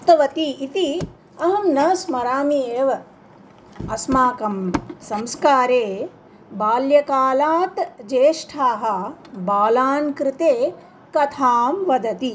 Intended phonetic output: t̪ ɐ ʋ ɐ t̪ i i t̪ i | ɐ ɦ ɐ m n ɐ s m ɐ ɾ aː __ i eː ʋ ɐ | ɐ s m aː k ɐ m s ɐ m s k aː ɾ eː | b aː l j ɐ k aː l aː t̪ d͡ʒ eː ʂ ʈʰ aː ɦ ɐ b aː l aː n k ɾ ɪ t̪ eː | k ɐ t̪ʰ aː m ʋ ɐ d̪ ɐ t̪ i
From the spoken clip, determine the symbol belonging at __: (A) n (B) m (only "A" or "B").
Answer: B